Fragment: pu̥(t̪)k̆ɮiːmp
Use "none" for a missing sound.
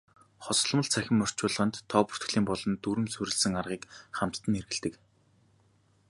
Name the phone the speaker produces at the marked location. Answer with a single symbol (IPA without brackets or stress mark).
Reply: t̪